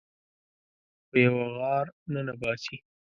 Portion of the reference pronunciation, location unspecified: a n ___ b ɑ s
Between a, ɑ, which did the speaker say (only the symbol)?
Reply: a